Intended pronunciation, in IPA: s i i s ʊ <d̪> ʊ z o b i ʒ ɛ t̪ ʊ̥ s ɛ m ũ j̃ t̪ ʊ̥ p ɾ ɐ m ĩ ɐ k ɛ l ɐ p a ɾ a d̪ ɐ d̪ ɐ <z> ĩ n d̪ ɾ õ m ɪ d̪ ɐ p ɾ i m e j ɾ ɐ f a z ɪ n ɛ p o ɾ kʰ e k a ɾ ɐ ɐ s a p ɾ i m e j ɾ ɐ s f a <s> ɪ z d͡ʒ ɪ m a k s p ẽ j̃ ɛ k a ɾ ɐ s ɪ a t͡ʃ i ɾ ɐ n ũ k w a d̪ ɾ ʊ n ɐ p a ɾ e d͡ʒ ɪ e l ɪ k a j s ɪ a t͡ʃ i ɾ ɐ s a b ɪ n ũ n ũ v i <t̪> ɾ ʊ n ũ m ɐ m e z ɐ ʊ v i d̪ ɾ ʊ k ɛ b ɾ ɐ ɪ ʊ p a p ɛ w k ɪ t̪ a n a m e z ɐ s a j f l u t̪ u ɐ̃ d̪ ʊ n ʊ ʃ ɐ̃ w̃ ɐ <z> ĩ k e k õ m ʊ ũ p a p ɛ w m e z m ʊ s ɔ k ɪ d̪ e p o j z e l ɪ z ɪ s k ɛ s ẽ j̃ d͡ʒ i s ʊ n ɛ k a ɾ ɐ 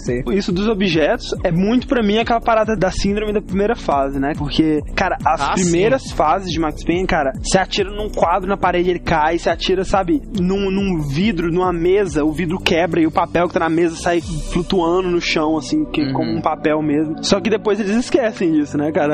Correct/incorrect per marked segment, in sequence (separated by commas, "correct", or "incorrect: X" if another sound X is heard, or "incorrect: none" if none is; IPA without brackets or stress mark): correct, incorrect: s, incorrect: z, incorrect: d̪, incorrect: s